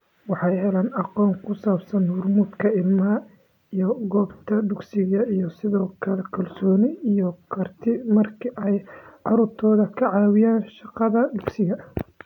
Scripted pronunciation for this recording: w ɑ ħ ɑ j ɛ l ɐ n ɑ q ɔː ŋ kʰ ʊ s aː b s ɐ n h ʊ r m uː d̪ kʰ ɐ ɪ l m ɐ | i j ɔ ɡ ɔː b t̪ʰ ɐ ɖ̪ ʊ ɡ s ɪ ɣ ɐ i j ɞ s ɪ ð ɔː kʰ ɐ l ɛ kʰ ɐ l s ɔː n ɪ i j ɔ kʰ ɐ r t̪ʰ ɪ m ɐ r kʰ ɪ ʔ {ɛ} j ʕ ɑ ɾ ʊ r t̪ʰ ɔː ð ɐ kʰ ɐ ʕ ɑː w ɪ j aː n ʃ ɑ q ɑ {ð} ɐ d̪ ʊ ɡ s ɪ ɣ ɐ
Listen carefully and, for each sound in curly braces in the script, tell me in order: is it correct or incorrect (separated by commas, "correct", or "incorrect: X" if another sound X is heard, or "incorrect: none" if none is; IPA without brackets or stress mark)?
correct, correct